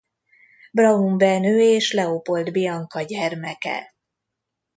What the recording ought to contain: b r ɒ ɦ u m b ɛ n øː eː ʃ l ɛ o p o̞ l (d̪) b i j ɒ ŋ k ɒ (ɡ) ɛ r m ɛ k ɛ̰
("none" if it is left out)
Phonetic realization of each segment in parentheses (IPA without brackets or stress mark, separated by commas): d̪, ɟ